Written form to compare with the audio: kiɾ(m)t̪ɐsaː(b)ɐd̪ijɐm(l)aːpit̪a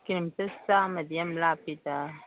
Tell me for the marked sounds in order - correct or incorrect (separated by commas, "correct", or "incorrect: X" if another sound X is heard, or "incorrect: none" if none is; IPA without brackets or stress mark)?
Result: correct, incorrect: m, correct